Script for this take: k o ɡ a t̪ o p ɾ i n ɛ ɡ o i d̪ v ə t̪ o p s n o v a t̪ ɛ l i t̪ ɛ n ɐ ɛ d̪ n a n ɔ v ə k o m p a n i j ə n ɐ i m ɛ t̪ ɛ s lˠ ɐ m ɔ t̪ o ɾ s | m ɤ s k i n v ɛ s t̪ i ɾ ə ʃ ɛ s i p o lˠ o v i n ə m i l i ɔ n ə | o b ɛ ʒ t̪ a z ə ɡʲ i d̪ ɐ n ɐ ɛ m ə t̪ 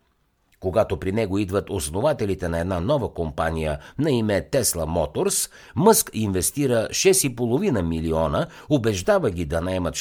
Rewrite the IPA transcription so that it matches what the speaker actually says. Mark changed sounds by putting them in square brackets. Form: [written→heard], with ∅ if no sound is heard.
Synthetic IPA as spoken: k o ɡ a t̪ o p ɾ i n ɛ ɡ o i d̪ v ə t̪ o [p→∅] s n o v a t̪ ɛ l i t̪ ɛ n ɐ ɛ d̪ n a n ɔ v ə k o m p a n i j ə n ɐ i m ɛ t̪ ɛ s lˠ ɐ m ɔ t̪ o ɾ s | m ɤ s k i n v ɛ s t̪ i ɾ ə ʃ ɛ s i p o lˠ o v i n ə m i l i ɔ n ə | o b ɛ ʒ [t̪→d̪] a [z→v] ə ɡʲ i d̪ ɐ n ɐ ɛ m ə t̪